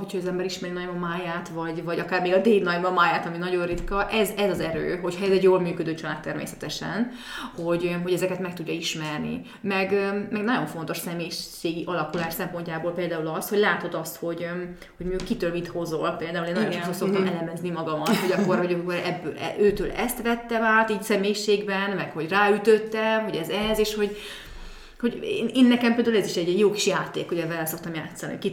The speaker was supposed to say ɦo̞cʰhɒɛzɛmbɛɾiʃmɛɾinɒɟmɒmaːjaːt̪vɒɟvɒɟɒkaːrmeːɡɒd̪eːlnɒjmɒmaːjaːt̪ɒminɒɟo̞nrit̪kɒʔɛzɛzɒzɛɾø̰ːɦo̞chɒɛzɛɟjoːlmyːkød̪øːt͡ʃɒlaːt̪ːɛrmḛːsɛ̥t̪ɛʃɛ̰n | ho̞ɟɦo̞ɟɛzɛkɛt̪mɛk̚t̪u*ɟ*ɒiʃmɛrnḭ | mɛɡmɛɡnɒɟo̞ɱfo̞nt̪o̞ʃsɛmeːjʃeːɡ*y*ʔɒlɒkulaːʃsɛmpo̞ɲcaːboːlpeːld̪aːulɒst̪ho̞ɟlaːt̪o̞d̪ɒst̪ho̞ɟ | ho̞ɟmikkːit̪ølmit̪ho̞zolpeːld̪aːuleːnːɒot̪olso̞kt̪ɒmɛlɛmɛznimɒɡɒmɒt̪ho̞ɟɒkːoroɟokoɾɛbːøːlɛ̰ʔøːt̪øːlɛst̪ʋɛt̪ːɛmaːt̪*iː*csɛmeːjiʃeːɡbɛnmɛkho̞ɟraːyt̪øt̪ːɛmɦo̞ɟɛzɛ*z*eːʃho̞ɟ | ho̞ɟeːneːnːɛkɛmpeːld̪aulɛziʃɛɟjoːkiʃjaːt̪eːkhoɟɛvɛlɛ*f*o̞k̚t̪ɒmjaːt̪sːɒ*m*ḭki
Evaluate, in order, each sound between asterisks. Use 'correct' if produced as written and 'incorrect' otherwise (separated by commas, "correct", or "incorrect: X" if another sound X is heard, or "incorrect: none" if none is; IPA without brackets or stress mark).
incorrect: ɟː, incorrect: i, correct, correct, incorrect: s, incorrect: n